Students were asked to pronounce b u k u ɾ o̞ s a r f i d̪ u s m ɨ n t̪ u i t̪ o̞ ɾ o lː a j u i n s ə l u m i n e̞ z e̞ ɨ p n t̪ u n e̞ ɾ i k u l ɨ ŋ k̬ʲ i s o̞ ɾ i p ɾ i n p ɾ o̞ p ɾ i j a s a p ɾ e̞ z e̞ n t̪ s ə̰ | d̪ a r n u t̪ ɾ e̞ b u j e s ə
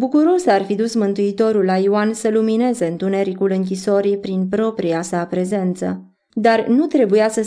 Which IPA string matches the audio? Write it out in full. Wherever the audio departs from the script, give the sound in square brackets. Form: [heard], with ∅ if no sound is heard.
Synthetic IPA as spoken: b u k u ɾ o̞ s a r f i d̪ u s m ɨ n t̪ u i t̪ o̞ ɾ [u] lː a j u [a] n s ə l u m i n e̞ z e̞ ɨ [∅] n t̪ u n e̞ ɾ i k u l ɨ ŋ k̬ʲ i s o̞ ɾ i p ɾ i n p ɾ o̞ p ɾ i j a s a p ɾ e̞ z e̞ n t̪ s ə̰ | d̪ a r n u t̪ ɾ e̞ b u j [a] s ə